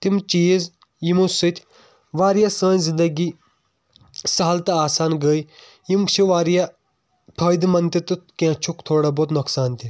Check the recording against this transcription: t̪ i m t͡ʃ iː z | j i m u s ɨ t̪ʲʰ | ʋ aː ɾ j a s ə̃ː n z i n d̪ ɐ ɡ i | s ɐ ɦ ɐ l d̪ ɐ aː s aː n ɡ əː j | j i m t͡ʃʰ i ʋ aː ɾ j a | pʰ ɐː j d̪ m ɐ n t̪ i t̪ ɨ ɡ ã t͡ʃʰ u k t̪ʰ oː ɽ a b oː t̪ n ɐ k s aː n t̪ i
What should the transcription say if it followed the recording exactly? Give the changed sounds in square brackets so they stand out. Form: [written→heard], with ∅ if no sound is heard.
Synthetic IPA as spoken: t̪ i m t͡ʃ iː z | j i m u s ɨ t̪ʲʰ | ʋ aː ɾ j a s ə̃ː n z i n d̪ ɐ ɡ i | s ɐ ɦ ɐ l [d̪→t̪] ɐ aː s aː n ɡ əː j | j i m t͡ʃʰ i ʋ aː ɾ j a | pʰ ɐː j d̪ m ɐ n t̪ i t̪ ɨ [ɡ→k] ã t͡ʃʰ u k t̪ʰ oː ɽ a b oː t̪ n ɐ k s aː n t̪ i